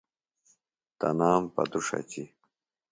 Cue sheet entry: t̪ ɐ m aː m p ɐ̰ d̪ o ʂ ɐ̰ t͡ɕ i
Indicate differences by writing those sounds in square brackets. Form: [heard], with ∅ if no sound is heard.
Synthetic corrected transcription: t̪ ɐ [n] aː m p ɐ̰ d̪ [u] ʂ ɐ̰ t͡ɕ i

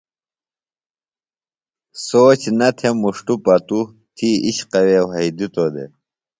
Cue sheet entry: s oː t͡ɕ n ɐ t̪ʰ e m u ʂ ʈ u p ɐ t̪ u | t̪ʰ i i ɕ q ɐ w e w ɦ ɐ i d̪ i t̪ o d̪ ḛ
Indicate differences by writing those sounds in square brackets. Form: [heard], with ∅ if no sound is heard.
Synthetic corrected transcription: s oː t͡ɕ n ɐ t̪ʰ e m u ʂ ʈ u p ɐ t̪ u | t̪ʰ i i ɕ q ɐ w e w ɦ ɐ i d̪ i t̪ o d̪ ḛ

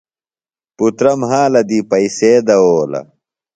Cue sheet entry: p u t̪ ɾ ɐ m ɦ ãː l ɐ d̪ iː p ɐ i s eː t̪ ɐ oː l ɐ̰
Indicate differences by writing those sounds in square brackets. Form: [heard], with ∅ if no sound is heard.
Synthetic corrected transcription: p u t̪ ɾ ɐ m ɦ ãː l ɐ d̪ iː p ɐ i s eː [d̪] ɐ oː l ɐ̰

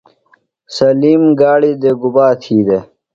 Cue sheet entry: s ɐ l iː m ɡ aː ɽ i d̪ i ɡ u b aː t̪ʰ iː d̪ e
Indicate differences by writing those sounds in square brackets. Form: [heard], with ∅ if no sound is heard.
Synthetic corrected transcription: s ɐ l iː m ɡ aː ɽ i d̪ [e] ɡ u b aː t̪ʰ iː d̪ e

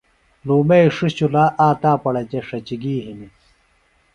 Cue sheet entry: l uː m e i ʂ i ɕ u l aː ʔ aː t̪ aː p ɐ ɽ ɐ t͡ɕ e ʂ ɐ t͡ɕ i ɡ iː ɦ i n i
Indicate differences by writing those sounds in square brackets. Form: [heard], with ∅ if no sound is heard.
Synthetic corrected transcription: l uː m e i ʂ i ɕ u l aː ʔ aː t̪ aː p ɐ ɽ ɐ t͡ɕ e ʂ ɐ t͡ɕ i ɡ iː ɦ i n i

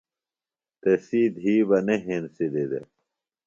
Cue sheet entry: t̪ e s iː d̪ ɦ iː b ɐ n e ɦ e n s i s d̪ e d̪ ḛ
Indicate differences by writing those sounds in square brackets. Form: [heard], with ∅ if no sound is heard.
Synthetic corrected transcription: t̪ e s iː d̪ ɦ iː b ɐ n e ɦ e n s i [∅] d̪ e d̪ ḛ

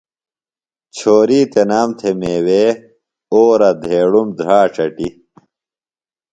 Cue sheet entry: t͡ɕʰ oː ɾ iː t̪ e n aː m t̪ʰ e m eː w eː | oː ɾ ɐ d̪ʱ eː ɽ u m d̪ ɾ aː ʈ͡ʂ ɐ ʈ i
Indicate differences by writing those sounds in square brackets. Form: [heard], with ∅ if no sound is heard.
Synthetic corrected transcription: t͡ɕʰ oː ɾ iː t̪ e n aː m t̪ʰ e m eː w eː | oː ɾ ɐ d̪ʱ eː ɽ u m d̪ ɾ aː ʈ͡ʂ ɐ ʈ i

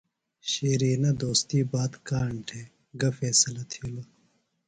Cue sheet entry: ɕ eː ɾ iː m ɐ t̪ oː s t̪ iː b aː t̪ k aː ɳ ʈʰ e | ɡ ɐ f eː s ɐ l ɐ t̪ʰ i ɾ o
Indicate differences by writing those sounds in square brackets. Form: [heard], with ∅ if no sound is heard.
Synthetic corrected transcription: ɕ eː ɾ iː [n] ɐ [d̪] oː s t̪ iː b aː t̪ k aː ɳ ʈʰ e | ɡ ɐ f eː s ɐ l ɐ t̪ʰ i [l] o

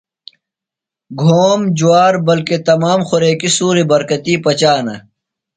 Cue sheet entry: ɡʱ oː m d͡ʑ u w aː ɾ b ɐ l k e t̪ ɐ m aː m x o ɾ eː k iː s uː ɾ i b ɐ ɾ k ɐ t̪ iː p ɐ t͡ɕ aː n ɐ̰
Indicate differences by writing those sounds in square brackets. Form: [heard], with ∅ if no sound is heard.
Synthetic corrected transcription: ɡʱ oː m d͡ʑ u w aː ɾ b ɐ l k e t̪ ɐ m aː m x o ɾ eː k [i] s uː ɾ i b ɐ ɾ k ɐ t̪ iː p ɐ t͡ɕ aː n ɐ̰

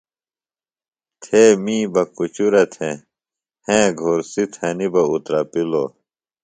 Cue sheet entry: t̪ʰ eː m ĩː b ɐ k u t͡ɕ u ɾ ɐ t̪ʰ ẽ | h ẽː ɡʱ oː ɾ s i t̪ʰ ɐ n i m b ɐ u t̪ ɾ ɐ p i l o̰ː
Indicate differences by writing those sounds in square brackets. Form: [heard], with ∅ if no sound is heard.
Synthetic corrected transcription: t̪ʰ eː m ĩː b ɐ k u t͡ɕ u ɾ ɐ t̪ʰ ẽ | h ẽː ɡʱ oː ɾ s i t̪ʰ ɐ n i [∅] b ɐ u t̪ ɾ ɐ p i l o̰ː

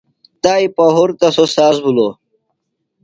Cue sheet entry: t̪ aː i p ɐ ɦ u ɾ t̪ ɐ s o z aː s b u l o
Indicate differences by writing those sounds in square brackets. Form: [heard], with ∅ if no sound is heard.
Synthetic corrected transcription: t̪ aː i p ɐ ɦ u ɾ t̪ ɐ s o [s] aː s b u l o

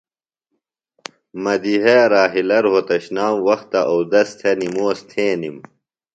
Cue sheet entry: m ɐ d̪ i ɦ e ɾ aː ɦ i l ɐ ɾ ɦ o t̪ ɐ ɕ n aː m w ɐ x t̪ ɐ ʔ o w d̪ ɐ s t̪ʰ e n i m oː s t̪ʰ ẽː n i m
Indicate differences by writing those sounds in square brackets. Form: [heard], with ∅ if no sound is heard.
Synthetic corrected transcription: m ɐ d̪ i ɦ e ɾ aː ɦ i l ɐ ɾ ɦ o t̪ ɐ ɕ n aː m w ɐ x t̪ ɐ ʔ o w d̪ ɐ s t̪ʰ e n i m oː s t̪ʰ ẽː n i m

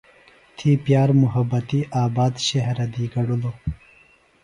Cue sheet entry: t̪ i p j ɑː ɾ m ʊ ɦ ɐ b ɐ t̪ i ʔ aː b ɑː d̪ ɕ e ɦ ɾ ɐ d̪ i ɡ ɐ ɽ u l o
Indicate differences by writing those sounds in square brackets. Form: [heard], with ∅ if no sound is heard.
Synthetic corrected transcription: [t̪ʰ] i p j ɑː ɾ m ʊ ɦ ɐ b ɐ t̪ i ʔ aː b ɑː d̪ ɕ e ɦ ɾ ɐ d̪ i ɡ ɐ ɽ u l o

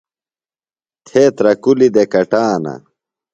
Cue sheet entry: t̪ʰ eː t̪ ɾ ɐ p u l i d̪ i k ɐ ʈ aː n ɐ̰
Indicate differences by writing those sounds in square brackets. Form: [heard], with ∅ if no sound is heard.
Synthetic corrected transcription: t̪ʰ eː t̪ ɾ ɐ [k] u l i d̪ [e] k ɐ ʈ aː n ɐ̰

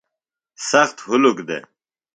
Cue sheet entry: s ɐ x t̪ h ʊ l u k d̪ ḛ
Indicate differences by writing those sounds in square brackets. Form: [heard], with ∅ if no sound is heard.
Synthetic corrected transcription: s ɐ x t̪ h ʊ l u k d̪ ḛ

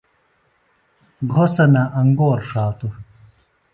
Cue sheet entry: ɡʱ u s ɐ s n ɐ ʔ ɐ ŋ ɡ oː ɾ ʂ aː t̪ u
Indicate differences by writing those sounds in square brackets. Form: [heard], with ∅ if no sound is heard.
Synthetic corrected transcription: ɡʱ [o] s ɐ [∅] n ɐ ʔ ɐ ŋ ɡ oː ɾ ʂ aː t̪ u

